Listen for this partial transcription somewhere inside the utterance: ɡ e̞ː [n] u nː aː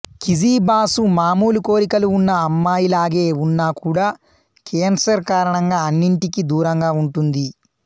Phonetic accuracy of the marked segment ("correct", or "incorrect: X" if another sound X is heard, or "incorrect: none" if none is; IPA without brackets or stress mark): incorrect: none